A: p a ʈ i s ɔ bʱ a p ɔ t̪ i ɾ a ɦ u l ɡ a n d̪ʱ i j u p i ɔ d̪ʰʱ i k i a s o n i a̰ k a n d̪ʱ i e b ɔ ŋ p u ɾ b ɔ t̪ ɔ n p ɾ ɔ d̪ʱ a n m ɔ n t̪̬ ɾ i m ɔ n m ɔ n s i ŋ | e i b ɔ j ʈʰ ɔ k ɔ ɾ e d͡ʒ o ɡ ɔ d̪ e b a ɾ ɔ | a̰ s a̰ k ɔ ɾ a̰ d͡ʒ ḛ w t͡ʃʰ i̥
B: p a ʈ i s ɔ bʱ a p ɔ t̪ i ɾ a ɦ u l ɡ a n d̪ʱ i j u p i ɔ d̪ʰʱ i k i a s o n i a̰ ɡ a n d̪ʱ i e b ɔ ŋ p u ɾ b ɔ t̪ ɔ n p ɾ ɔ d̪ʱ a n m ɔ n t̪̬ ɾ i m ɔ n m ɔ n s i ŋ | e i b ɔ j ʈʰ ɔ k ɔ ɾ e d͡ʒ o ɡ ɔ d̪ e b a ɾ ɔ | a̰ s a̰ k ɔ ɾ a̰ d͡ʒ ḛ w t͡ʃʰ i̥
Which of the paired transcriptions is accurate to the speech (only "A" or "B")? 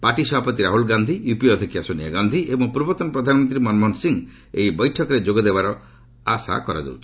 B